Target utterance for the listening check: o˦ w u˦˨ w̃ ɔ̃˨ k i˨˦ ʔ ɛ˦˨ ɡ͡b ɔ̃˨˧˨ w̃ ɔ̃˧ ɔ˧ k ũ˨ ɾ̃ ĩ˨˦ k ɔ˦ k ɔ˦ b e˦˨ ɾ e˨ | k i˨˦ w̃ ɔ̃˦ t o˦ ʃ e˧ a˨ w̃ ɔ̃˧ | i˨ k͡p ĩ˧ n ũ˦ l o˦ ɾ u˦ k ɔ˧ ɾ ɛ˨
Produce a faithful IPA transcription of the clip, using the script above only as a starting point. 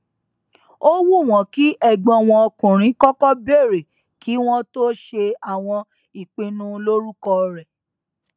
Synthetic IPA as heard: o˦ w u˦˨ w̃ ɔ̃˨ k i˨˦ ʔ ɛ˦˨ ɡ͡b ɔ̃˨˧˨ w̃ ɔ̃˧ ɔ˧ k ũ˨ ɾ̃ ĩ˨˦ k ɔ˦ k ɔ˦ b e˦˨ ɾ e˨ | k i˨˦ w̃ ɔ̃˦ t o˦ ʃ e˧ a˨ w̃ ɔ̃˧ | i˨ k͡p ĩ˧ n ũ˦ l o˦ ɾ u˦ k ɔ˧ ɾ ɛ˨